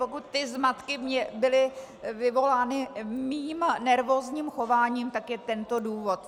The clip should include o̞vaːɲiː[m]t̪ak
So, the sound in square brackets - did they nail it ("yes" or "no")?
yes